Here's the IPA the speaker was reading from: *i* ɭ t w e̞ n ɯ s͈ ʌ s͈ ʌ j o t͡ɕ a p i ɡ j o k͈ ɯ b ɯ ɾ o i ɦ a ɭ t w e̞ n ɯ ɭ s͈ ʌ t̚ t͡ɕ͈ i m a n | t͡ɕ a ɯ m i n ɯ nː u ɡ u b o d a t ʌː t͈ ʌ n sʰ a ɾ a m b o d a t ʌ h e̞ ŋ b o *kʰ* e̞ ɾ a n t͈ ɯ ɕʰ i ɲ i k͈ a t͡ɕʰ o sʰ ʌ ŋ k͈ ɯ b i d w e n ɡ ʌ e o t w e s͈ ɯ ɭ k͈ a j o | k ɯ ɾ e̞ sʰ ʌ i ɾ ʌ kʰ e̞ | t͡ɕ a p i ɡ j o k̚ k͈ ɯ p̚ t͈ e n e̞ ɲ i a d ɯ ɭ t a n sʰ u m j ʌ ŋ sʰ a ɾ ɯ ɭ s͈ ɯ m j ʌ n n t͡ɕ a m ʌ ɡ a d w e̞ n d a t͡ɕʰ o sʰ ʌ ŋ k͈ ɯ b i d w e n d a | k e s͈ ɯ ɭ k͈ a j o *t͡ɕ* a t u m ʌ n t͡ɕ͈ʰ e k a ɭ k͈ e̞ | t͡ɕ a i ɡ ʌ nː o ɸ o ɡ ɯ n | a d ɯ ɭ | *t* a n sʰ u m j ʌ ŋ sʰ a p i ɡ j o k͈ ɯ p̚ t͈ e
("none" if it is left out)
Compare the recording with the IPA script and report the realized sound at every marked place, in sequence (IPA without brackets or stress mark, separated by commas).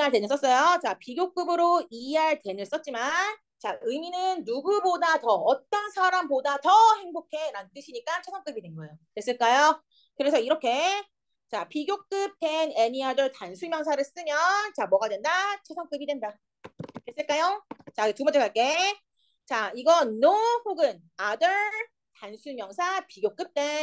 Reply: a, kʰ, t͡ɕ, t